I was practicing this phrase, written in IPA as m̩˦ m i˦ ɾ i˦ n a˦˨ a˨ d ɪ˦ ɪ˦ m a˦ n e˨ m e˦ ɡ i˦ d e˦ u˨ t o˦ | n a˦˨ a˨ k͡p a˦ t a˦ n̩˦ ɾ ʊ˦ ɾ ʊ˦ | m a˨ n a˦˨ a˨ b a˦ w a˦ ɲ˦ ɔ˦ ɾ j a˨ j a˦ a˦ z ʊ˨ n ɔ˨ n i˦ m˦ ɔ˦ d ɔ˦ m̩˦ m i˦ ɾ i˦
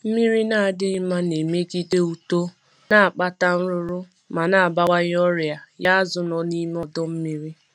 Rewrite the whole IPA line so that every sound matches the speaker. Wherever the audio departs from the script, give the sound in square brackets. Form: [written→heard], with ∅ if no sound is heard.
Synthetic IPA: m̩˦ m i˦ ɾ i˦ n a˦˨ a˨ d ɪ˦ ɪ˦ m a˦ n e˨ m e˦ ɡ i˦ d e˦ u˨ t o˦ | n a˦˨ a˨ k͡p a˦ t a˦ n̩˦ ɾ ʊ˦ ɾ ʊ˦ | m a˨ n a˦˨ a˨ b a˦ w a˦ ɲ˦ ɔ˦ ɾ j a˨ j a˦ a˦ z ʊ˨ n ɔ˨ n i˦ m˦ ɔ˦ d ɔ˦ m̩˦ m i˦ ɾ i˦